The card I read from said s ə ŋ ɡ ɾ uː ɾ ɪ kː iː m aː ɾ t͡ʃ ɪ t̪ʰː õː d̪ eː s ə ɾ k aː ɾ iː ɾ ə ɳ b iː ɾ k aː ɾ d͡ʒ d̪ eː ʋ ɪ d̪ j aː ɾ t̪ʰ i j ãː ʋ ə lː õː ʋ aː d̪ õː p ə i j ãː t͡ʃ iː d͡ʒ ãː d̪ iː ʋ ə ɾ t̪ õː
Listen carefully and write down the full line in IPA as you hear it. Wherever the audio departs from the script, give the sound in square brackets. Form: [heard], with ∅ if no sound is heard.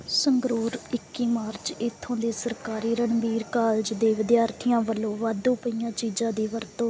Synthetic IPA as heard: s ə ŋ ɡ ɾ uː ɾ ɪ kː iː m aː ɾ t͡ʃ ɪ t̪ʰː õː d̪ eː s ə ɾ k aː ɾ iː ɾ ə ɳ b iː ɾ k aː [l] d͡ʒ d̪ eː ʋ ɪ d̪ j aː ɾ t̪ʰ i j ãː ʋ ə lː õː ʋ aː d̪ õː p ə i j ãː t͡ʃ iː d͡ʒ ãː d̪ iː ʋ ə ɾ t̪ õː